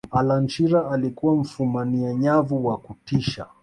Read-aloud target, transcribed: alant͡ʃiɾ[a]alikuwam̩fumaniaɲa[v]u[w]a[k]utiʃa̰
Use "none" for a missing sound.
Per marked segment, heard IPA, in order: a, v, w, k

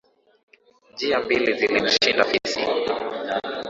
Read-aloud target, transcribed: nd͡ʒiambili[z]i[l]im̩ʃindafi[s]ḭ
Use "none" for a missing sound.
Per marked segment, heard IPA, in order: z, l, s

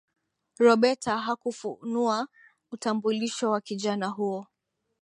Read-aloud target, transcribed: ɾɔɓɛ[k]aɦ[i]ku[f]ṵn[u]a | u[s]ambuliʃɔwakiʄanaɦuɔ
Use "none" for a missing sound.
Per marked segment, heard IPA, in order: t, a, f, u, t

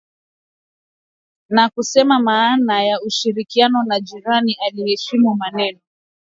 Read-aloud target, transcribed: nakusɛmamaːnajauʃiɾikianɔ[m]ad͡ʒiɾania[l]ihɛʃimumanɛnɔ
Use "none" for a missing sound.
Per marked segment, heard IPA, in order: n, l

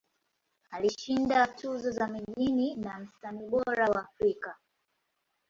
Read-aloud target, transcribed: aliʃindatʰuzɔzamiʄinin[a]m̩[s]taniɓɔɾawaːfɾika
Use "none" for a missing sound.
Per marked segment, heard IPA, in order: a, s

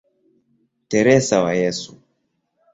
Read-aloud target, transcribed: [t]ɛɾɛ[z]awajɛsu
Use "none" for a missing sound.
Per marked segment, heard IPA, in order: t, s

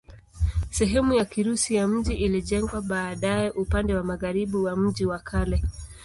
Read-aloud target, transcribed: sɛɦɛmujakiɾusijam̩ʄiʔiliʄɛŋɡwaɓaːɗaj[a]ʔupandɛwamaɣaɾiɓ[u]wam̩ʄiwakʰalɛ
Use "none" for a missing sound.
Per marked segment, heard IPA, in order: ɛ, u

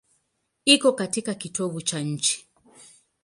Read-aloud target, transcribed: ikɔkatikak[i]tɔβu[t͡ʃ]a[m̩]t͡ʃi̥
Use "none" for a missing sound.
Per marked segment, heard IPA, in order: i, t͡ʃ, ɲ̩

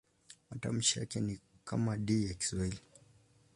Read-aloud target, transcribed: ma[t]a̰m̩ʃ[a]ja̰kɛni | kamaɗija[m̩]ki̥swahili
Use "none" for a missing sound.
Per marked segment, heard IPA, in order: t, i, none

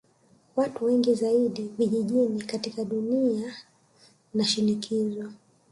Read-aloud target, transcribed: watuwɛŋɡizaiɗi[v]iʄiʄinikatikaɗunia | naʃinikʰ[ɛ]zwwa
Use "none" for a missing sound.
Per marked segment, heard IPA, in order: v, i

